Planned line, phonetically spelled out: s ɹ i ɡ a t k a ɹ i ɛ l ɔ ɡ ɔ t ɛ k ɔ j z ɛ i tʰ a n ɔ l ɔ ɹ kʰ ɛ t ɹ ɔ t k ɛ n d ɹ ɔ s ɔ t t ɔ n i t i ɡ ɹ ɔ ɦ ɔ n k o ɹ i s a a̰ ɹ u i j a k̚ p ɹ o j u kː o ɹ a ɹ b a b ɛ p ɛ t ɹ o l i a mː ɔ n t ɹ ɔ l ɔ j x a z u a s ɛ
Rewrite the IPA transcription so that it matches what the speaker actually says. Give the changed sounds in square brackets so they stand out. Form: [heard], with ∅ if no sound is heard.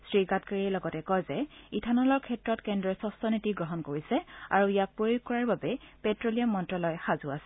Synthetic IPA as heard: s ɹ i ɡ a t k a ɹ i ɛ l ɔ ɡ ɔ t ɛ k ɔ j z ɛ i tʰ a n ɔ l ɔ ɹ kʰ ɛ t ɹ ɔ t k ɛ n d ɹ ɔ s ɔ [s] t ɔ n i t i ɡ ɹ ɔ ɦ ɔ n k o ɹ i s [ɛ] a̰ ɹ u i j a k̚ p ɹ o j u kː [ɔ] ɹ a ɹ b a b ɛ p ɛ t ɹ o l i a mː ɔ n t ɹ ɔ l ɔ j x a z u a s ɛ